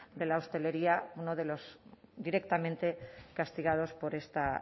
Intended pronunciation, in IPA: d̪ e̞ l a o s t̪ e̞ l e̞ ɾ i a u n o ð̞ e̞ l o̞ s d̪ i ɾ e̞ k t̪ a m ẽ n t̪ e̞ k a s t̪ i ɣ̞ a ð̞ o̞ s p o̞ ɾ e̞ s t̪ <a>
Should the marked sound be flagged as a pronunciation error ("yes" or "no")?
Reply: no